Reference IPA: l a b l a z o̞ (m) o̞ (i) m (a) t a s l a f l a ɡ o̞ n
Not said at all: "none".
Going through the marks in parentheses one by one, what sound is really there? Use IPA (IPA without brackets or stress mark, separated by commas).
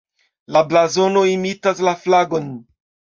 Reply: n, i, i